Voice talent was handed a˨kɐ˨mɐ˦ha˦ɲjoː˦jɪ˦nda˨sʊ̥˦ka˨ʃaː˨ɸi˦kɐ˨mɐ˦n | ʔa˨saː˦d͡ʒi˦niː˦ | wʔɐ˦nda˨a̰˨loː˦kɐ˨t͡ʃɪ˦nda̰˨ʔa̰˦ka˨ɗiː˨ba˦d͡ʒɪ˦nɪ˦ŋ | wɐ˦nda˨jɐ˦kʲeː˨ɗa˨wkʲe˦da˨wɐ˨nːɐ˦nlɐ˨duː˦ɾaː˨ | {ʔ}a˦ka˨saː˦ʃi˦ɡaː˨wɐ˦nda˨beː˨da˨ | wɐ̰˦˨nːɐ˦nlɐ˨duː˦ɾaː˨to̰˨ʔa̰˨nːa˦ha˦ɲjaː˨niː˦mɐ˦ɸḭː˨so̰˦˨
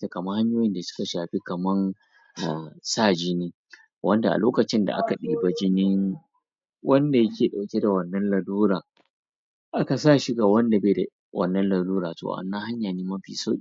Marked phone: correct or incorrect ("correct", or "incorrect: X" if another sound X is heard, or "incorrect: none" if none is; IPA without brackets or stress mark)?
correct